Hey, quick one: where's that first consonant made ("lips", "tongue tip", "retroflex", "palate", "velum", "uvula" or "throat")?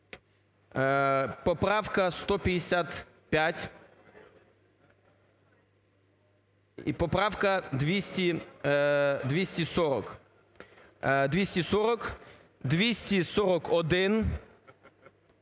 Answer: lips